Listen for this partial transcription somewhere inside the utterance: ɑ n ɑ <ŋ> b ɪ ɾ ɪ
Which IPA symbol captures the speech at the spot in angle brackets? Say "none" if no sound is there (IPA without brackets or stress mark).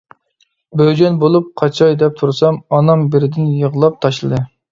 m